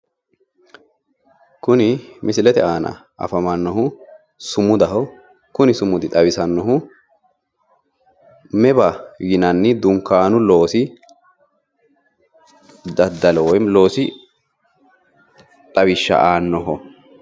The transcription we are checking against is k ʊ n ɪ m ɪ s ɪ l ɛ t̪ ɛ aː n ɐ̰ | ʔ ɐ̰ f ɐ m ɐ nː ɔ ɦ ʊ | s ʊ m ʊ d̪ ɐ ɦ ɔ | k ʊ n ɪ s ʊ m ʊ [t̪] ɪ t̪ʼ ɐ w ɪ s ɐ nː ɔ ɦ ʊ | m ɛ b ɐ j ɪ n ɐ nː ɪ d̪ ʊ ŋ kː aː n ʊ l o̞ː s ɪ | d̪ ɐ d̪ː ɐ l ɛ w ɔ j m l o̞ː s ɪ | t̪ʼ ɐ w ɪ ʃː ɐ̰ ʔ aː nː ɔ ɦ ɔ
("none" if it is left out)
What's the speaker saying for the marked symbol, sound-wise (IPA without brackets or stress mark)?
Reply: d̪